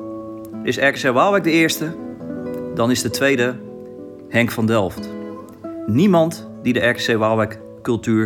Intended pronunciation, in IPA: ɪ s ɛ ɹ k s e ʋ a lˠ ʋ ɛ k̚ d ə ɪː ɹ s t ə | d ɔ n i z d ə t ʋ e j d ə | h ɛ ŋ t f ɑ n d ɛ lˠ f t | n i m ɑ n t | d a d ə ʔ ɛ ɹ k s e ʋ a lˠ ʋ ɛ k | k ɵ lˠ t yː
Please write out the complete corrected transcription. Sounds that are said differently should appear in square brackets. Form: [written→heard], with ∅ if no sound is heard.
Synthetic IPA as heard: ɪ s ɛ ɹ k s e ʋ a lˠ ʋ ɛ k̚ d ə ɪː ɹ s t ə | d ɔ n [i→ɪ] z d ə t ʋ e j d ə | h ɛ ŋ [t→k] f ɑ n d ɛ lˠ f t | n i m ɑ n t | d [a→i] d ə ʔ ɛ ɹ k s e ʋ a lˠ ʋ ɛ k | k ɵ lˠ t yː